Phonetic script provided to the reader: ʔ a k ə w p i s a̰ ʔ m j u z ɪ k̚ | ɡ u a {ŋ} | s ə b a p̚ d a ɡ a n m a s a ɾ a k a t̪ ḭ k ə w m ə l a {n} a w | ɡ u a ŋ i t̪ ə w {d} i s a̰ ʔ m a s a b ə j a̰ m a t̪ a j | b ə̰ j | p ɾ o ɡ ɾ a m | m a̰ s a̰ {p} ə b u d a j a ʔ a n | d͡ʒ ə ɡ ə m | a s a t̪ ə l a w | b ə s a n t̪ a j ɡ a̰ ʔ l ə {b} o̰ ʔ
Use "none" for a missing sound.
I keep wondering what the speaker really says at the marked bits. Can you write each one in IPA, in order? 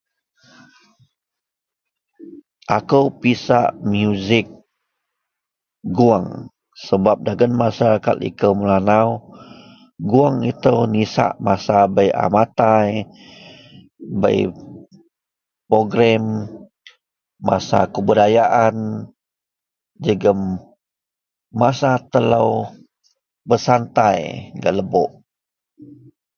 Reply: ŋ, n, n, k, b

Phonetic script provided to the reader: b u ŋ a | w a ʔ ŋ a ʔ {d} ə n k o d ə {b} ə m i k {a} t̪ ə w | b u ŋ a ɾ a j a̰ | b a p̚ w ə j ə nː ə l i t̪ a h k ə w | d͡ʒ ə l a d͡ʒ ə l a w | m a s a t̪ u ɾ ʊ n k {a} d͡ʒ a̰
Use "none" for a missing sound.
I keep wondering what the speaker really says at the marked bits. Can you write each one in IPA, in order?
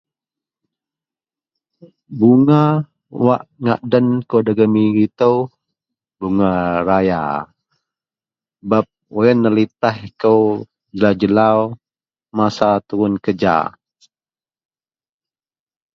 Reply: d, ɡ, i, ə

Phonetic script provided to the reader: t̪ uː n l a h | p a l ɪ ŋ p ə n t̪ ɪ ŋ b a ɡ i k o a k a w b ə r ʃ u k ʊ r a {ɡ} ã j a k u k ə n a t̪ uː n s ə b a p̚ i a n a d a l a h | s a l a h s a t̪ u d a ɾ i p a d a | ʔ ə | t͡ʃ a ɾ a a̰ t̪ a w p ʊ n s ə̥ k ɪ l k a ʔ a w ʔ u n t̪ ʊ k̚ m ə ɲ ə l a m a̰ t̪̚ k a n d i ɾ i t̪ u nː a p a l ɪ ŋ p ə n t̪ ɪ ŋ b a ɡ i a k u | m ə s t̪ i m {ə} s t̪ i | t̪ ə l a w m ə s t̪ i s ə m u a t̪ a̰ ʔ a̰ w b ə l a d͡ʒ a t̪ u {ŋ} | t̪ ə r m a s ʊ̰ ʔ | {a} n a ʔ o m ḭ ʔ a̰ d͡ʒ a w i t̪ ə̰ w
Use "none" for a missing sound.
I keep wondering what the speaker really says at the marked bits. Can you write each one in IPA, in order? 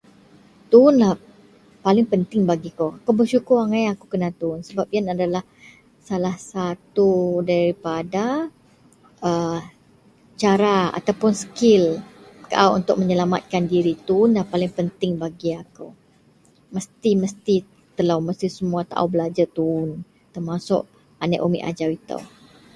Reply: ŋ, ə, n, a

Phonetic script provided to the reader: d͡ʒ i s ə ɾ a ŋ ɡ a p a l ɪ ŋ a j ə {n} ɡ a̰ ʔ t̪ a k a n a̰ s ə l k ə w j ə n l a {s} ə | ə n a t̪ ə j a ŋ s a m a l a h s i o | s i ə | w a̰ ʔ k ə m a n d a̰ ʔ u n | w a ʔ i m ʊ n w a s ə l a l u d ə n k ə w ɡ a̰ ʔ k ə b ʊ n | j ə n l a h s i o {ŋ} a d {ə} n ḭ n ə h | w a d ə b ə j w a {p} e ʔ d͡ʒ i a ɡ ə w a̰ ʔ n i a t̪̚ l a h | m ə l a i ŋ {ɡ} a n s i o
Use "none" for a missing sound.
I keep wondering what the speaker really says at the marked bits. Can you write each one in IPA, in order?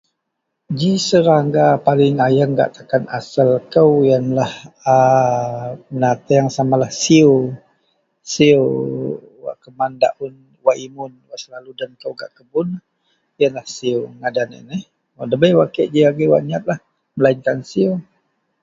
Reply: ŋ, h, ŋ, a, k, k

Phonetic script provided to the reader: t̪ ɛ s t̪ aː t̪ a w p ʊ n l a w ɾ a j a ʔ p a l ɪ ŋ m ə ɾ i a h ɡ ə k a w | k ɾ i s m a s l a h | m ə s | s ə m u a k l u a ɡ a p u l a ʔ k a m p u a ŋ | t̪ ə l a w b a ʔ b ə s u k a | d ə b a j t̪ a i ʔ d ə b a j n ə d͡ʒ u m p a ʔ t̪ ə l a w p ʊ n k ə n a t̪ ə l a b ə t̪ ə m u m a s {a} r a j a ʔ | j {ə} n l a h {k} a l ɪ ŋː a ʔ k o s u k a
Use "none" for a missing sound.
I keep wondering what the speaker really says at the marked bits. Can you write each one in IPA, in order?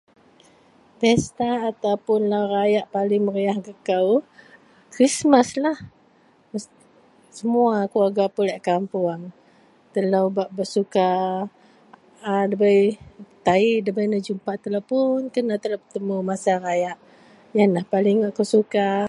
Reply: a, a, p

